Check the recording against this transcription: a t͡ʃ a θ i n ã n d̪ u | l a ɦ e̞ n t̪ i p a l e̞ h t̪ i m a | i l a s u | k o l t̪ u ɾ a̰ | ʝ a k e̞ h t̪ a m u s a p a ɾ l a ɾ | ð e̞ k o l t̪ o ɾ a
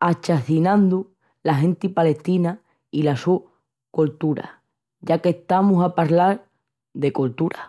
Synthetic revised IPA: a t͡ʃ a θ i n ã n d̪ u | l a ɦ e̞ n t̪ i p a l e̞ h t̪ i n a | i l a s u | k o l t̪ u ɾ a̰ | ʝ a k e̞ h t̪ a m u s a p a ɾ l a ɾ | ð e̞ k o l t̪ u ɾ a